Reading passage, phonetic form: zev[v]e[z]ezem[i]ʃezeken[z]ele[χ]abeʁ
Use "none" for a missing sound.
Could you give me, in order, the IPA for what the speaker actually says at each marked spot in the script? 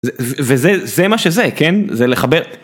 v, z, a, z, χ

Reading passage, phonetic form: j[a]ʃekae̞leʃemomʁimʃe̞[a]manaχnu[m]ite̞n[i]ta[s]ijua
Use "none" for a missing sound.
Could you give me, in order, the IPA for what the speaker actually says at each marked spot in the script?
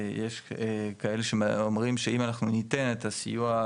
e, i, n, e, s

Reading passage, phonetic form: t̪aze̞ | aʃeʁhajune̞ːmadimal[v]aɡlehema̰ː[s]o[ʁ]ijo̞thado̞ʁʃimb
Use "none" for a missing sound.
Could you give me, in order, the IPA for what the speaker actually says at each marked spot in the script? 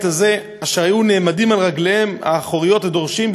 ʁ, χ, ʁ

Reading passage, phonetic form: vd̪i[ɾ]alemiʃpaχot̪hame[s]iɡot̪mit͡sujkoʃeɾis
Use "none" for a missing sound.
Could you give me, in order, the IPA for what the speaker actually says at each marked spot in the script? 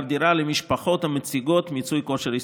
ɾ, t͡s

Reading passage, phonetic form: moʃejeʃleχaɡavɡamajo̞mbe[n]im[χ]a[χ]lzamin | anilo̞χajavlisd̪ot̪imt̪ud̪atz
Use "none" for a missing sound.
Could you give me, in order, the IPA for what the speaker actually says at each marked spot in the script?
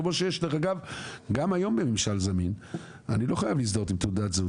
m, ʃ, none

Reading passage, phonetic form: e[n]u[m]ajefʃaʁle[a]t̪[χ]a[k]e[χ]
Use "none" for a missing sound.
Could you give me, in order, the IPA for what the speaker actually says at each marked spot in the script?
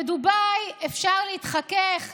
d, b, i, χ, k, χ

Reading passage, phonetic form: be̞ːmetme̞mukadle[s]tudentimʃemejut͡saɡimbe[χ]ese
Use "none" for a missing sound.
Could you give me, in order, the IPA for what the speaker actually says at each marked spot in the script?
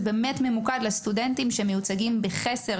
s, χ

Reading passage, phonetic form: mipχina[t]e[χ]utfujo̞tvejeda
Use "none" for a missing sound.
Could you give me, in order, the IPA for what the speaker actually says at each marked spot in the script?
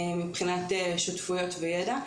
t, ʃ

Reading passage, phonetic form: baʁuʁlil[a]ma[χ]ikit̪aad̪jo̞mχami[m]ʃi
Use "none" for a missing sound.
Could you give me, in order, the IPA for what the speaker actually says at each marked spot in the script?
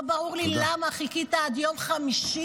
a, χ, none

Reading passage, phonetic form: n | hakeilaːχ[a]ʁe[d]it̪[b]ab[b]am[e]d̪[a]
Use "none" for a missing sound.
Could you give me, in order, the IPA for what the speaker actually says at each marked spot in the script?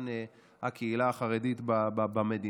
a, d, b, b, e, i

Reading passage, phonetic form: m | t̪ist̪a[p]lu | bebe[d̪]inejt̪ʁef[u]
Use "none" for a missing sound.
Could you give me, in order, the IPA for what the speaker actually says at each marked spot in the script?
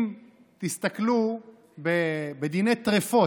k, d̪, o

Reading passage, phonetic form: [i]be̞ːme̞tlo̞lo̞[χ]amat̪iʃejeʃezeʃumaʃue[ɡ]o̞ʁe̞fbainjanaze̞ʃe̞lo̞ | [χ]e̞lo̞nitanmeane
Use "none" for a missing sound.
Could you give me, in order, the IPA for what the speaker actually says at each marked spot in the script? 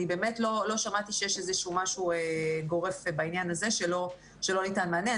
i, ʃ, ɡ, ʃ

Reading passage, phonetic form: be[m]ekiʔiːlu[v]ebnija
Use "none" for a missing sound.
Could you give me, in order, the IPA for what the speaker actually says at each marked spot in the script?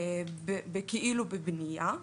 b, b

